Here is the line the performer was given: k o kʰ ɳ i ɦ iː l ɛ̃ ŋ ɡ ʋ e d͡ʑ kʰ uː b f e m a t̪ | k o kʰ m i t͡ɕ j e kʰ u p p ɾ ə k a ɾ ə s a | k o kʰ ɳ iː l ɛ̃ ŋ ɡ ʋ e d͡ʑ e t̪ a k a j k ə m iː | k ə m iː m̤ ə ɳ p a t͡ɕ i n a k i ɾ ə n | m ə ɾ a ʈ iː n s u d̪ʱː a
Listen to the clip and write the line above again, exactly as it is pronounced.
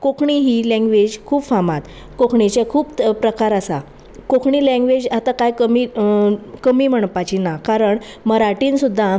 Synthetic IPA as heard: k o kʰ ɳ i ɦ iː l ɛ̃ ŋ ɡ ʋ e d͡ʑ kʰ uː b f a m a t̪ | k o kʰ ɳ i t͡ɕ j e kʰ uː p p ɾ ə k a ɾ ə s a | k o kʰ ɳ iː l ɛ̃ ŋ ɡ ʋ e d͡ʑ a t̪ a k a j k ə m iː | k ə m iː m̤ ə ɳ p a t͡ɕ i n a k a ɾ ə ɳ | m ə ɾ a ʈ iː n s u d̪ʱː a